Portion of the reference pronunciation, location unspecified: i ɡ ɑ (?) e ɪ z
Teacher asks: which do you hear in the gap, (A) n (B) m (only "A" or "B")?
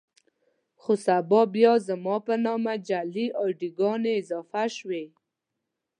A